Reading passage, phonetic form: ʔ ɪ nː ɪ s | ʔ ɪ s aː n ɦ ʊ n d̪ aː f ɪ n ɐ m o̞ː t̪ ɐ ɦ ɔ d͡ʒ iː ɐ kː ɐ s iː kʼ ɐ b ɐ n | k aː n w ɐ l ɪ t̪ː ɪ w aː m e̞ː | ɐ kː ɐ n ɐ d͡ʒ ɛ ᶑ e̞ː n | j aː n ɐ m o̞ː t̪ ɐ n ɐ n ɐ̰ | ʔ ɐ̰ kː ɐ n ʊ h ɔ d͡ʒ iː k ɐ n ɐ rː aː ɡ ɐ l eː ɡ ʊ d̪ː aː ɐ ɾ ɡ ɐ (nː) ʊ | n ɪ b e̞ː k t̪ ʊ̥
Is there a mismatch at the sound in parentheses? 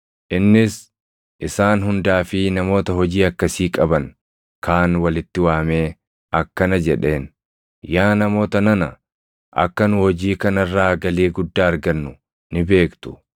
no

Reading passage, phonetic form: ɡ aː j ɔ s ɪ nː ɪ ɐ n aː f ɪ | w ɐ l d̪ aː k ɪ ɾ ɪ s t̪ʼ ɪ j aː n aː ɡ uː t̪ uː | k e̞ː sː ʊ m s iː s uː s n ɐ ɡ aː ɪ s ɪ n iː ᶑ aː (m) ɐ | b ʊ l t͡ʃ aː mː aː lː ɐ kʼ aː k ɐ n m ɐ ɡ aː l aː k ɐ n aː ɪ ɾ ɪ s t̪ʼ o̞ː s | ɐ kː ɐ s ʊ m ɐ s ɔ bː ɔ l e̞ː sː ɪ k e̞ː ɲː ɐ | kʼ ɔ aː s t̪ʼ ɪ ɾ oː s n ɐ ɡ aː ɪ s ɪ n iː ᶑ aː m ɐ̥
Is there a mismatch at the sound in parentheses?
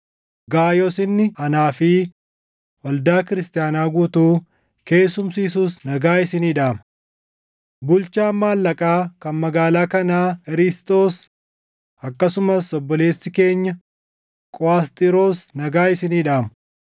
no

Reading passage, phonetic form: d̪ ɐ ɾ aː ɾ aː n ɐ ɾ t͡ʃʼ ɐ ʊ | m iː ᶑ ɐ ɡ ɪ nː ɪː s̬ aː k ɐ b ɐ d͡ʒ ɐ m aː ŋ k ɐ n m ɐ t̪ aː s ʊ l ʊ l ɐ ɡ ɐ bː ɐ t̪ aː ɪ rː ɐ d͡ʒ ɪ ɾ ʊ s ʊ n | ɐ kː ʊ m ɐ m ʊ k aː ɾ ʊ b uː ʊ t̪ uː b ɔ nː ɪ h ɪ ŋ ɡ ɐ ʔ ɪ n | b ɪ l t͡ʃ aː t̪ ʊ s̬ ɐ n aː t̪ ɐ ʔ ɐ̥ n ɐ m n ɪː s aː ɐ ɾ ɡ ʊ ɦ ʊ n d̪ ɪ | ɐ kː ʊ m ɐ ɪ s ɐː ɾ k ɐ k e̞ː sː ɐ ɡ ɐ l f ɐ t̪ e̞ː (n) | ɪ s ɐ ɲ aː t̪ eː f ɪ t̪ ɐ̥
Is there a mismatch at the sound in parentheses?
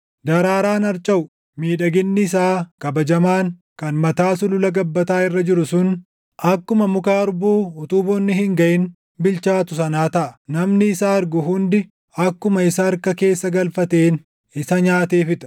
no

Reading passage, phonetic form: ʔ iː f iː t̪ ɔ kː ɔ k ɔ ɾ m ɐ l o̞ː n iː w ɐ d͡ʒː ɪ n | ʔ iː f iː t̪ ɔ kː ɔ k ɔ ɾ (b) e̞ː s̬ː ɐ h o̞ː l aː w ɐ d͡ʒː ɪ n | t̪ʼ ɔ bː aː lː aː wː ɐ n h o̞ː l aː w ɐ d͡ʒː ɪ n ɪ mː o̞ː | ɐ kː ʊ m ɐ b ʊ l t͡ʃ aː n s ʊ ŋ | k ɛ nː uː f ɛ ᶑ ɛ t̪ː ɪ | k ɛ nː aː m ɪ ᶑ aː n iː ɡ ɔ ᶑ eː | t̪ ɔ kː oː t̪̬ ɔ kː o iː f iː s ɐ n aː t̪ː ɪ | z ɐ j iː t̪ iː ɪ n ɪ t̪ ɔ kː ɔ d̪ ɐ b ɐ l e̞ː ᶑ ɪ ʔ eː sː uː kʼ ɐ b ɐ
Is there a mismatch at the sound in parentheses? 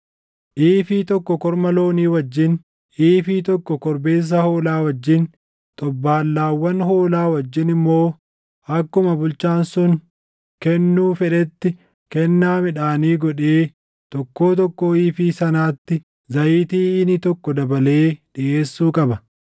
no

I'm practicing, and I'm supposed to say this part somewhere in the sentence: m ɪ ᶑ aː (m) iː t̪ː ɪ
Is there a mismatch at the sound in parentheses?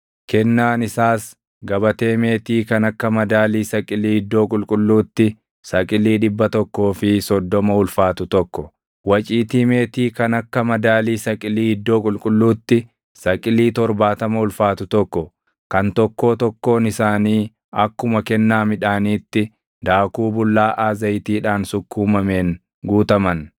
yes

